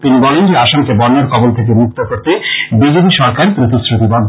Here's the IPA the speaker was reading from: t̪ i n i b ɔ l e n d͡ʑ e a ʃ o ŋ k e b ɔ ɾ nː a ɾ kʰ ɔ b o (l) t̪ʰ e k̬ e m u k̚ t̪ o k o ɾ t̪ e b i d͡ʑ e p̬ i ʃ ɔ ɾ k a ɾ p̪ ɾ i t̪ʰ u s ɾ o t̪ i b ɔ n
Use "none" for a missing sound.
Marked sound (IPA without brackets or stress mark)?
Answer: l